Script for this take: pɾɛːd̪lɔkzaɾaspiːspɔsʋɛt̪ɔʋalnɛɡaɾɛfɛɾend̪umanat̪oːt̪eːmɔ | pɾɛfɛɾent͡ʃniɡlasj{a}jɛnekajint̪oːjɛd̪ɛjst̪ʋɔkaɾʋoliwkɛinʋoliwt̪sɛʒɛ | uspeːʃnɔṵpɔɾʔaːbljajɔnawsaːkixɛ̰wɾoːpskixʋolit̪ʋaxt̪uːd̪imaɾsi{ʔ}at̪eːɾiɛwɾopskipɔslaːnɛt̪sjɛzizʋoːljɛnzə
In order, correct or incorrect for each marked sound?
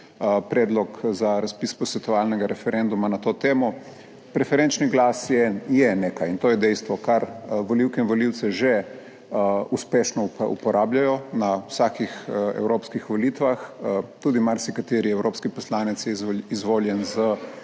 incorrect, incorrect

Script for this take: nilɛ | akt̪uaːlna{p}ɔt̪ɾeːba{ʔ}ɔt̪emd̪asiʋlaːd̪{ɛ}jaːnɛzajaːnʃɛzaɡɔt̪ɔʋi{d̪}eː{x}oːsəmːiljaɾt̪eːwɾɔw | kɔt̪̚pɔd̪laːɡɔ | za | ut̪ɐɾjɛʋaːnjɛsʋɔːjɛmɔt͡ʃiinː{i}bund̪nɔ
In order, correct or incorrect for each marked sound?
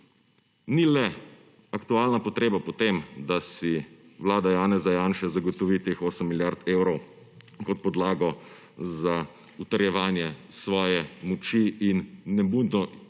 correct, incorrect, incorrect, incorrect, correct, incorrect

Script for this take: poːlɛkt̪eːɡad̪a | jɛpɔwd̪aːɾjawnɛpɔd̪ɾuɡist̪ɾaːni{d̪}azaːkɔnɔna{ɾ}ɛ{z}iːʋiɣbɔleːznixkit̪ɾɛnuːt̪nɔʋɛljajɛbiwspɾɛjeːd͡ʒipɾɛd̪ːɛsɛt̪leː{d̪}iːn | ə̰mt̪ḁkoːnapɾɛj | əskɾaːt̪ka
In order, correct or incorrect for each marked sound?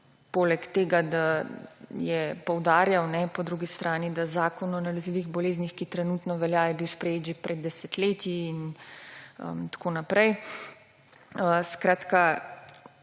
correct, incorrect, correct, incorrect

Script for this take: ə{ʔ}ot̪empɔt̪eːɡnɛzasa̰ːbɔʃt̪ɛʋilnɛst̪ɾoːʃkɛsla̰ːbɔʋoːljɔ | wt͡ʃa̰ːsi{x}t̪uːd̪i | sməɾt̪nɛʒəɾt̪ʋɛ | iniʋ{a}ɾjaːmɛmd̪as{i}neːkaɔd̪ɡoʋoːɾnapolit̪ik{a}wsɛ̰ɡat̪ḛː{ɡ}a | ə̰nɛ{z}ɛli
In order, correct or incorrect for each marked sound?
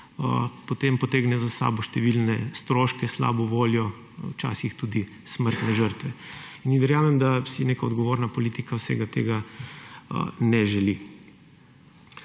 incorrect, correct, incorrect, correct, correct, correct, incorrect

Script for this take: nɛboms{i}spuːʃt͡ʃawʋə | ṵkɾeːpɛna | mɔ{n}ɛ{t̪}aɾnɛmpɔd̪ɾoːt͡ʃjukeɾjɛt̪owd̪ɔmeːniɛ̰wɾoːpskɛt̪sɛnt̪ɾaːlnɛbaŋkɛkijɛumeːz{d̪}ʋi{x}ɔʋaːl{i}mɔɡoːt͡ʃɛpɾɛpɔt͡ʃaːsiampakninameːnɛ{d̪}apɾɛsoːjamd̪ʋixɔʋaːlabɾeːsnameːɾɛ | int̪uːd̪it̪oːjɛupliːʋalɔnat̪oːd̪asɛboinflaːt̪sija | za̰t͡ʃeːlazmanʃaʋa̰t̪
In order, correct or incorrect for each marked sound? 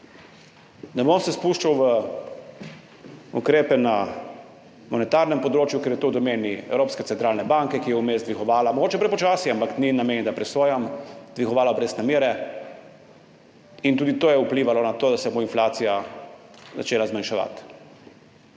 incorrect, correct, correct, correct, correct, incorrect, correct

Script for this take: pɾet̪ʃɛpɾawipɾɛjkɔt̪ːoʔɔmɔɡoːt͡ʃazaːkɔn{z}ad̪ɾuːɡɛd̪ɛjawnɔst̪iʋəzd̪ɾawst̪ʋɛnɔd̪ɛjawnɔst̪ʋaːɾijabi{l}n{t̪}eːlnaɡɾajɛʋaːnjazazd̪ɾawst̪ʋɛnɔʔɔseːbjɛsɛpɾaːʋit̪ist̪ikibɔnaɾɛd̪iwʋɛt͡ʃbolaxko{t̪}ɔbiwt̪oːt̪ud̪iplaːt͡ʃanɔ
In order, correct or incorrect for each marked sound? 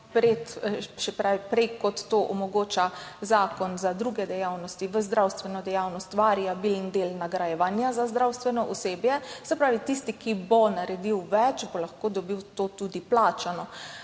correct, correct, incorrect, incorrect

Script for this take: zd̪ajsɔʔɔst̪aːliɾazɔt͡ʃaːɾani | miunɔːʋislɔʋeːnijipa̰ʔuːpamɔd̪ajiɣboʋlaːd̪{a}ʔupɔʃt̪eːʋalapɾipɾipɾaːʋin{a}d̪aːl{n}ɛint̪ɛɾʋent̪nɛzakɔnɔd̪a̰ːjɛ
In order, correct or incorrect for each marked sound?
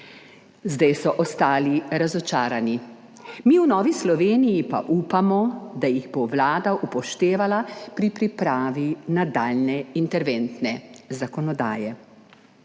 correct, correct, correct

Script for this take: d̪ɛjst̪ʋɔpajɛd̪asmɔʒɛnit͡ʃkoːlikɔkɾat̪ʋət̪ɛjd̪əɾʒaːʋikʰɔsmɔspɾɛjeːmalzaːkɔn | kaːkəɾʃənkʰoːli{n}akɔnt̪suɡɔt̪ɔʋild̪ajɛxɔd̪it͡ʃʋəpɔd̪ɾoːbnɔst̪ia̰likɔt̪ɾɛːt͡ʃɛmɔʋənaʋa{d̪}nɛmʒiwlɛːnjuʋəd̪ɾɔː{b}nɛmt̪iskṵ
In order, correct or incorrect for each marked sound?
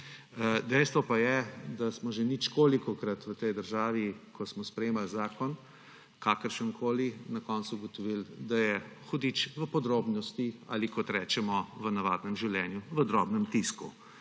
correct, correct, correct

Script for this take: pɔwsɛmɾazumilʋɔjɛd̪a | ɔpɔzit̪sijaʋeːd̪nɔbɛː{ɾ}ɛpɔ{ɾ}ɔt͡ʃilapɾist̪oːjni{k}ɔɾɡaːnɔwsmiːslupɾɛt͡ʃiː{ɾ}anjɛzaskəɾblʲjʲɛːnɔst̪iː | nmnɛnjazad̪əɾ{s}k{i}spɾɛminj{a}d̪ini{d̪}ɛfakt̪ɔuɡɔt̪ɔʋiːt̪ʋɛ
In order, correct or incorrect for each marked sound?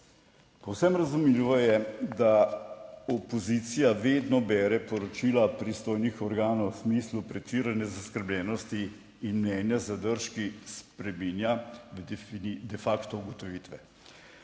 correct, correct, incorrect, correct, incorrect, correct, correct, correct

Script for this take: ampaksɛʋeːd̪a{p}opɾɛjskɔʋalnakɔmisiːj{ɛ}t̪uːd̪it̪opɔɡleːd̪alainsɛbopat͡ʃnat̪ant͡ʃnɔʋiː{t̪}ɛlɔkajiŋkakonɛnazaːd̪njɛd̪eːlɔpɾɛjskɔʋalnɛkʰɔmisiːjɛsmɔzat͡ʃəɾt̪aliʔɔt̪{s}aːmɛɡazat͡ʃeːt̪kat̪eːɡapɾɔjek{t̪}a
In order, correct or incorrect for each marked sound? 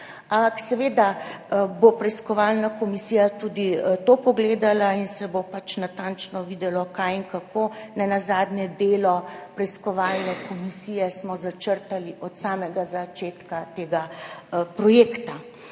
incorrect, incorrect, incorrect, correct, correct

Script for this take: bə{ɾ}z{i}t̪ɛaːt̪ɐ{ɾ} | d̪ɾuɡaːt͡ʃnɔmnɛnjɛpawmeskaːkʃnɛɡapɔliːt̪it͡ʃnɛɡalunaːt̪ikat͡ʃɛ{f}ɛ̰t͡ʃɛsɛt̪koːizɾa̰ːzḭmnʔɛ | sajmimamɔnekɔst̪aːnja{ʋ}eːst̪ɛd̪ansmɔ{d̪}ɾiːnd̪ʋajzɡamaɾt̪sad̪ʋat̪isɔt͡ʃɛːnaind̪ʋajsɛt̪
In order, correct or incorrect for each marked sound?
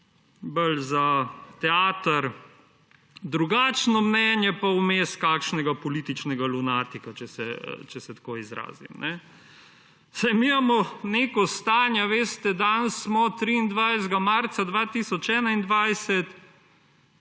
incorrect, incorrect, correct, incorrect, correct, incorrect

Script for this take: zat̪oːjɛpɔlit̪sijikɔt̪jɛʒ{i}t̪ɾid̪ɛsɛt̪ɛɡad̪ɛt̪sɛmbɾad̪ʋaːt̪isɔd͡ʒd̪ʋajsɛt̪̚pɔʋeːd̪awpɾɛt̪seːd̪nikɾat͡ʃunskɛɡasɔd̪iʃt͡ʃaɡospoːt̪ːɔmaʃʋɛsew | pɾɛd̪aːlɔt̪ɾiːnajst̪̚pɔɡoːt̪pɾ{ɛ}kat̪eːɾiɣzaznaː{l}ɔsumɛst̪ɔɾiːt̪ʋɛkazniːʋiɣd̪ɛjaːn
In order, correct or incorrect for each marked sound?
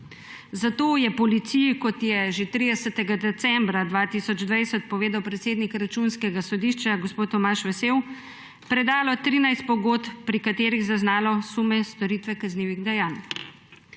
incorrect, incorrect, correct

